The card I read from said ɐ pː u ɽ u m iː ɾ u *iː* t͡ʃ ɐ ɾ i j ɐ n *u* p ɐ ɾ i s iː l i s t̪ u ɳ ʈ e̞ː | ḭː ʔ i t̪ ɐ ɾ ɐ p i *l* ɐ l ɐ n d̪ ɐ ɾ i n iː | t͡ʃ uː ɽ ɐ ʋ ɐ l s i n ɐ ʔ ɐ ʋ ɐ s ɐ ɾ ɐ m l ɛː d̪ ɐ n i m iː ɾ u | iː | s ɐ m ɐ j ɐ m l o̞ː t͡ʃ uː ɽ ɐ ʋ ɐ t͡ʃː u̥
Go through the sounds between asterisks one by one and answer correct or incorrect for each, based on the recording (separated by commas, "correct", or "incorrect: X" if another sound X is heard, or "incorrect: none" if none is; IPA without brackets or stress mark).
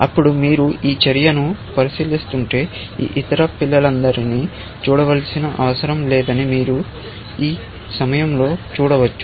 correct, correct, incorrect: lː